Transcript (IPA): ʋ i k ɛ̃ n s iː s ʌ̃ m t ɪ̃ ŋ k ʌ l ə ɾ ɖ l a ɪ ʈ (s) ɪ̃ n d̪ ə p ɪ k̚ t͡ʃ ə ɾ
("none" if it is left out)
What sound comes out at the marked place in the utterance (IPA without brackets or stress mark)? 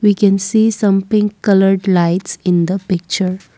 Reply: s